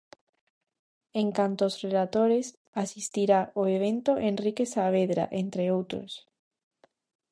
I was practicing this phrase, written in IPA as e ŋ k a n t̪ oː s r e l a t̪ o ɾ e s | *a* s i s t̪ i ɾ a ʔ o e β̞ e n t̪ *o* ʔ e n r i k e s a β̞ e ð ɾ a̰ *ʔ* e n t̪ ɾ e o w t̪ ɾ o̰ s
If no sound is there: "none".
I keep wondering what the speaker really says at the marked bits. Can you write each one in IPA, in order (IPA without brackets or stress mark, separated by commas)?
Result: a, o, ʔ